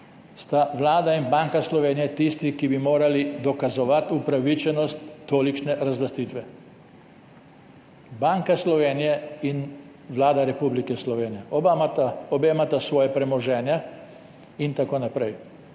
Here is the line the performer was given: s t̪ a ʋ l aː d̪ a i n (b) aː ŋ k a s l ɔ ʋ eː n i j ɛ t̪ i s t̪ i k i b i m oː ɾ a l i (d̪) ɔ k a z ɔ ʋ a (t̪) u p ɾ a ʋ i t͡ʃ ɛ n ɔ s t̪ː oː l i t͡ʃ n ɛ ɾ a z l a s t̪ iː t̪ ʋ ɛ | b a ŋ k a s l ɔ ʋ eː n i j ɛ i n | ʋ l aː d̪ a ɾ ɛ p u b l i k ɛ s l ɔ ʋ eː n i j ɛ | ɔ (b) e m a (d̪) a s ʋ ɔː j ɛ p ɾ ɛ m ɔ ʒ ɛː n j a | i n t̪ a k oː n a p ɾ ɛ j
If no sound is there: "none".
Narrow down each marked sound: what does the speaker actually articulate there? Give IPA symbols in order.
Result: b, d̪, t̪, b, t̪

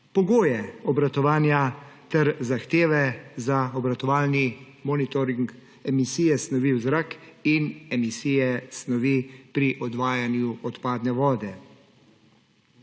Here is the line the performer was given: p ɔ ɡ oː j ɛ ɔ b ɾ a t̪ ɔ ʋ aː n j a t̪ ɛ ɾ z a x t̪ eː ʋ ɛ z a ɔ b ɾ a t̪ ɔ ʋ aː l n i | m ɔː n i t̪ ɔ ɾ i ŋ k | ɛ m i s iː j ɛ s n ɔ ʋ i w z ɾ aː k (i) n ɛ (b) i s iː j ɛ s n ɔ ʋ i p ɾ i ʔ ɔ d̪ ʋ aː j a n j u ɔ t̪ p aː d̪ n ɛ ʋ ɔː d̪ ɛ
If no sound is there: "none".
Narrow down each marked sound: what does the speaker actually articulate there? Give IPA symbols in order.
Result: i, m

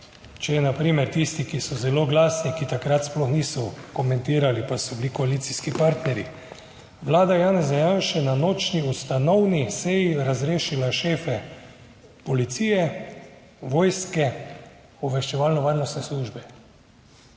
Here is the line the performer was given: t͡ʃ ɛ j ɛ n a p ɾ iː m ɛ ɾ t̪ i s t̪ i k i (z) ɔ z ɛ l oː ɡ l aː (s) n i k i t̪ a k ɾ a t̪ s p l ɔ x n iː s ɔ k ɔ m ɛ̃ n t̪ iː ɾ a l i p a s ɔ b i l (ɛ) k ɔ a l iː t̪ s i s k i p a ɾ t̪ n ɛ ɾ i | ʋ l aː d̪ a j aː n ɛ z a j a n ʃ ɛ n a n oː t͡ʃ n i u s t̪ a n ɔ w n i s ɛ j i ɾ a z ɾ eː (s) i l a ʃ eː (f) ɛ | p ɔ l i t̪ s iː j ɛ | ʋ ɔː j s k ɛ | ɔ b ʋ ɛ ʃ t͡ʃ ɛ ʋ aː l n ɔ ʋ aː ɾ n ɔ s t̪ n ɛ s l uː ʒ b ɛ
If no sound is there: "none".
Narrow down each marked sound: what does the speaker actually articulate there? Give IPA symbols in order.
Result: s, s, i, ʃ, f

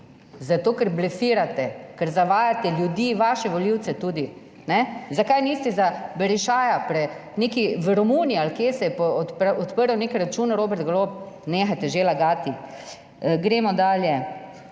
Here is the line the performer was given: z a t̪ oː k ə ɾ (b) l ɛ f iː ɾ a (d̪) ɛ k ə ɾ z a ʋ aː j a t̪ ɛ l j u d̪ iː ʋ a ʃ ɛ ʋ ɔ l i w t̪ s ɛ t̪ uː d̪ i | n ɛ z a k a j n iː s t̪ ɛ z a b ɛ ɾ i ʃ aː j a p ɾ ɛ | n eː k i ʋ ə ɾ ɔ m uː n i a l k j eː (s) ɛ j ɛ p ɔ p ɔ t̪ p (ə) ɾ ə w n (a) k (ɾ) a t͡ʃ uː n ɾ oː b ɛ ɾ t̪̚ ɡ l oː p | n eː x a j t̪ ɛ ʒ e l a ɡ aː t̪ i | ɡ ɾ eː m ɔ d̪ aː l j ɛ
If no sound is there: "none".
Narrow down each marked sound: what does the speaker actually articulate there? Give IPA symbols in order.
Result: b, t̪, s, ə, e, ɾ

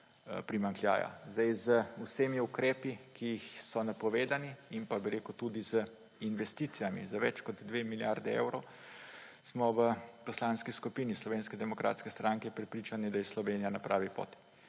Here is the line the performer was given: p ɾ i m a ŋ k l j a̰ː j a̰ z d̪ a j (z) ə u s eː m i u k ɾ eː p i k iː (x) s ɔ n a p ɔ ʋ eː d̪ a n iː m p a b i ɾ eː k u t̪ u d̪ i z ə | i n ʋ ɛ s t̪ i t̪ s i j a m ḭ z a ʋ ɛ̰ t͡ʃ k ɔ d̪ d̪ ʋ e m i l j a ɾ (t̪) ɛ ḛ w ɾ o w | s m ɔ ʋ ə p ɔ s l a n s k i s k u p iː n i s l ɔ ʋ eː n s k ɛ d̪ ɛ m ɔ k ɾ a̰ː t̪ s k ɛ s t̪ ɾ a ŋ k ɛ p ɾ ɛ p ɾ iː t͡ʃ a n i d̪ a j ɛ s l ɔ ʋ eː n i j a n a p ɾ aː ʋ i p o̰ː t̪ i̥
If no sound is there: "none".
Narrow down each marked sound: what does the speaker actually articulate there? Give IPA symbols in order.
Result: z, x, d̪

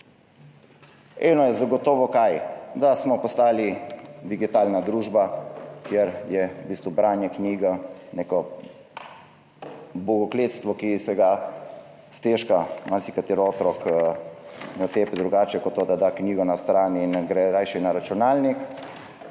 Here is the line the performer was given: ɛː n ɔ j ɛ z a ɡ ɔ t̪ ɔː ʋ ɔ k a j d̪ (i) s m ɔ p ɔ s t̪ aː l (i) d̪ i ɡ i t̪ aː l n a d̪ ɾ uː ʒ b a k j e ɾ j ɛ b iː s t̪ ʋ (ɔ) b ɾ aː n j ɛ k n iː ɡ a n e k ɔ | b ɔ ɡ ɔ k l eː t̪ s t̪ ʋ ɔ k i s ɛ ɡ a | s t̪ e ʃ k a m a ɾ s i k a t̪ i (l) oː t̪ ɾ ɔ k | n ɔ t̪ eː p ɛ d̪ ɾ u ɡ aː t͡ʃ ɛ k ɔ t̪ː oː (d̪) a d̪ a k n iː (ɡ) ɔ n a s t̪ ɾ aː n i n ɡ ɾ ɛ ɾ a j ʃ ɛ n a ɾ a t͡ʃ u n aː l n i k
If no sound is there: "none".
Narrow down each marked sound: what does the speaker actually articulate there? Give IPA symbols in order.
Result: a, i, u, ɾ, d̪, ɡ

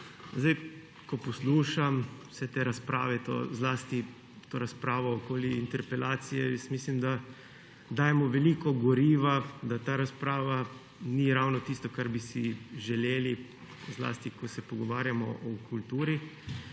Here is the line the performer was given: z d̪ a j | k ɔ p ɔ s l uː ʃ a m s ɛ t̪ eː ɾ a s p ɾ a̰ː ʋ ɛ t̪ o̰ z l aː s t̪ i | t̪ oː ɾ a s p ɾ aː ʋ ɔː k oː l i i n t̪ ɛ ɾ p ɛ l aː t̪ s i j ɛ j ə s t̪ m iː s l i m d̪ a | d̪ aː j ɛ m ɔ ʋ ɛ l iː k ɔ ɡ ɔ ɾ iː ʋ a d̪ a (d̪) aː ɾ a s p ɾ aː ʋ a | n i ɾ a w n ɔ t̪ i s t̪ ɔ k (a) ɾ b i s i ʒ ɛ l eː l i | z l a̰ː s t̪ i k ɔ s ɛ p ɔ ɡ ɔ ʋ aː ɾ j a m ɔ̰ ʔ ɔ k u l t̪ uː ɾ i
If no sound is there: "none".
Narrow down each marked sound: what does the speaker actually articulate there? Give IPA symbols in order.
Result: t̪, a

